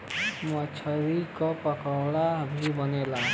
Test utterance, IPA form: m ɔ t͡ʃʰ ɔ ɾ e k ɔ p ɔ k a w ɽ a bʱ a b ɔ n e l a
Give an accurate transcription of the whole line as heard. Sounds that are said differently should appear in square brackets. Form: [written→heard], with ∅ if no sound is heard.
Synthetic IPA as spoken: m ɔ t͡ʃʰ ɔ ɾ [e→i] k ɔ p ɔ k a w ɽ a bʱ [a→i] b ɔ n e l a